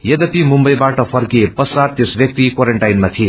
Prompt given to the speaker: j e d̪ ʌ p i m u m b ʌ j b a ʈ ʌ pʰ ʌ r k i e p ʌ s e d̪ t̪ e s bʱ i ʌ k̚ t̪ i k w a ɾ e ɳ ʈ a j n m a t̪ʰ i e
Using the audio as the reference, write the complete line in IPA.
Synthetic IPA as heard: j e d̪ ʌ p i m u m b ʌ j b a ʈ ʌ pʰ ʌ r k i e p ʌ s a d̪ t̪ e s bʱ j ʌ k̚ t̪ i k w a ɾ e ɳ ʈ a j n m a t̪ʰ i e